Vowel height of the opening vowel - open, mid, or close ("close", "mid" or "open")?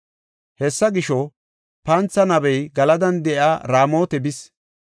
mid